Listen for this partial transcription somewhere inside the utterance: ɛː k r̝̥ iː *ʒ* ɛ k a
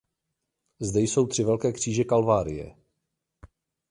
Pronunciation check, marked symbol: correct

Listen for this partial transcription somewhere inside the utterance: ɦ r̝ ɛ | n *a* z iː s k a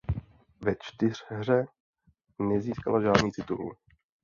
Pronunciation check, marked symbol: incorrect: ɛ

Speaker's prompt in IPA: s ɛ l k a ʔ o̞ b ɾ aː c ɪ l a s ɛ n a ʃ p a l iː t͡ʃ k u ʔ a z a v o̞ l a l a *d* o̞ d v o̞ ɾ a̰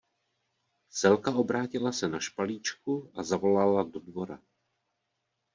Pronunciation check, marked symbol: correct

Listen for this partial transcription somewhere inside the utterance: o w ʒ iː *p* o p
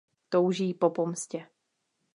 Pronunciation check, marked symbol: correct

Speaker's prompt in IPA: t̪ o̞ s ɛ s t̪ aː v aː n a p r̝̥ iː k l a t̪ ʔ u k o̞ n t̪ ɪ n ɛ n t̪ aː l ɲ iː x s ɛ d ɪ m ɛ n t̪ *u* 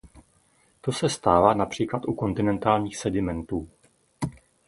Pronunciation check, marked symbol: incorrect: uː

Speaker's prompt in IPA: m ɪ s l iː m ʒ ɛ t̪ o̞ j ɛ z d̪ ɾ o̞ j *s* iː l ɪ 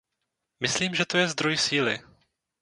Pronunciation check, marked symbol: correct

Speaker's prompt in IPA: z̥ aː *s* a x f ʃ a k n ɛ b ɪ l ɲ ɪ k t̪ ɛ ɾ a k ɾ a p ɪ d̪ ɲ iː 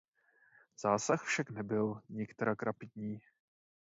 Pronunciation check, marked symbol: correct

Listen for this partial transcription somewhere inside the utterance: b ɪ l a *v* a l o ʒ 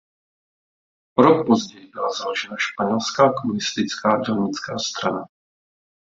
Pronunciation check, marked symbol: incorrect: z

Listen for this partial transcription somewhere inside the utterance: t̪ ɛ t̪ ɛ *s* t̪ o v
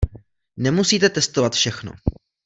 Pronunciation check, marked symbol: correct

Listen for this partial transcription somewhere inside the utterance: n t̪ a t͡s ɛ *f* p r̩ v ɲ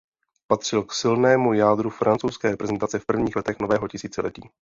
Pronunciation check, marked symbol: correct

